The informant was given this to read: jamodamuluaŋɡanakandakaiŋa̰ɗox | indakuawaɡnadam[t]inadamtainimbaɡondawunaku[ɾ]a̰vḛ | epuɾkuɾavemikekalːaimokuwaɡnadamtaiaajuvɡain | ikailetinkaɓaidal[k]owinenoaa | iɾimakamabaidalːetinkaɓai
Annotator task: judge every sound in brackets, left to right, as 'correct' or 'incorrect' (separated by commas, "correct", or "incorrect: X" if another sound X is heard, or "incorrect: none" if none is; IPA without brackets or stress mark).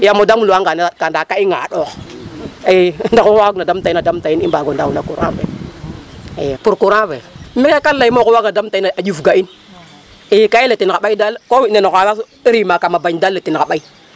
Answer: correct, correct, correct